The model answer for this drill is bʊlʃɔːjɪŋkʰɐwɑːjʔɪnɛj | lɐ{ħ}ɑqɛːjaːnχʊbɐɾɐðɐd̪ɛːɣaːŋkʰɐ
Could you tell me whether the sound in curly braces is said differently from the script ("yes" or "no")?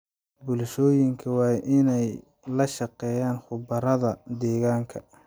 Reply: yes